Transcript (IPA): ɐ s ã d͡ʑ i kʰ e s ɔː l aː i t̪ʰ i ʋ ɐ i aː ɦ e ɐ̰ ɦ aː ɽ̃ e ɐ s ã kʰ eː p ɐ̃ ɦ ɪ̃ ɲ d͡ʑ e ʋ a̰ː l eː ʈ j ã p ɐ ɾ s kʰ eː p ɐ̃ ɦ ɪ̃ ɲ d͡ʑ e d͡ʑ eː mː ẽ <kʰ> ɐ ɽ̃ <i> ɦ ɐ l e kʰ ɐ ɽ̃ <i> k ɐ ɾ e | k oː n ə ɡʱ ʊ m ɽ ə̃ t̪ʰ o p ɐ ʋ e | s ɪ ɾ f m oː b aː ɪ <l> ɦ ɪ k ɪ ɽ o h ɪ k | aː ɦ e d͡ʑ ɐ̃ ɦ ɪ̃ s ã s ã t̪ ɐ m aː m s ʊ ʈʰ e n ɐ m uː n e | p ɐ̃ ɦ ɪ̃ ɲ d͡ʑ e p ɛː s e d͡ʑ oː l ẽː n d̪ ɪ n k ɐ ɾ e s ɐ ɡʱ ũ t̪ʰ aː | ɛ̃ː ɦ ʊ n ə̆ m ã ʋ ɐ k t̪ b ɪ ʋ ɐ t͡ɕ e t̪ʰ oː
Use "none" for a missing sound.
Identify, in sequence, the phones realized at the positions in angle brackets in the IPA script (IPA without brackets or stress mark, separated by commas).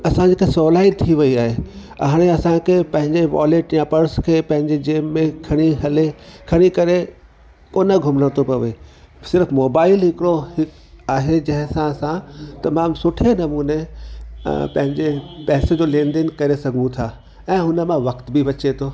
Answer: kʰ, i, i, l